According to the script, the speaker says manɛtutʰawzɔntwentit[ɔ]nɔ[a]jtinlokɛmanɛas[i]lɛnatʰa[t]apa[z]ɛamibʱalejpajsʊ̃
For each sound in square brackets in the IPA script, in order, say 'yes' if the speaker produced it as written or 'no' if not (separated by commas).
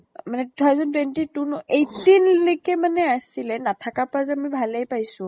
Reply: no, no, yes, no, yes